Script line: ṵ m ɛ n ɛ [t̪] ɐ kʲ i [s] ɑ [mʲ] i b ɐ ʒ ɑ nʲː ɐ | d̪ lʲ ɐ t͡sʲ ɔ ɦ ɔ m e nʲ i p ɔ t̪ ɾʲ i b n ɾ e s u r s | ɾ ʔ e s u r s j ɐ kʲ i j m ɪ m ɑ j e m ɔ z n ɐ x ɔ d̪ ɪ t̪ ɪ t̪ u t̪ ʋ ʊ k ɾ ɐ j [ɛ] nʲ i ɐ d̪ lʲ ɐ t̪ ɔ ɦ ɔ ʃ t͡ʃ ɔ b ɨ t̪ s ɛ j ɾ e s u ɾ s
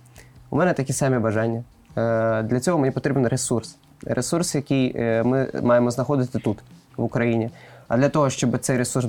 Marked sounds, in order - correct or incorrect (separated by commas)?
correct, correct, correct, incorrect